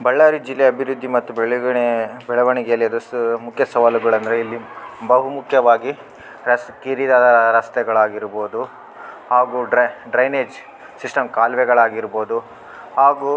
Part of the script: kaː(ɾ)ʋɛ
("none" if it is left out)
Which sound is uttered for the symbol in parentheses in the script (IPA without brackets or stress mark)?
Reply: l